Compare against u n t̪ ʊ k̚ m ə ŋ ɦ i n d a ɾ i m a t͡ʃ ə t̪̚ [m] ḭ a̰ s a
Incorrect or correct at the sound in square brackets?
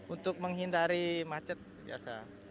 incorrect: b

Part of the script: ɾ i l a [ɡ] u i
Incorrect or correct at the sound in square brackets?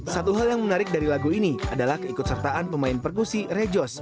correct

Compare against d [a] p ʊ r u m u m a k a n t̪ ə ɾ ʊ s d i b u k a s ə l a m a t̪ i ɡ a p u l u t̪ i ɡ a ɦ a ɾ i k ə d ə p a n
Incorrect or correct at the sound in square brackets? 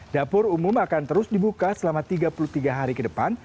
correct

